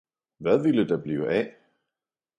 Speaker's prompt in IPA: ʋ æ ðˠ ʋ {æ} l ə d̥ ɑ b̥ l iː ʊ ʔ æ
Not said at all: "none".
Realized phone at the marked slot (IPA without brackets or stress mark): i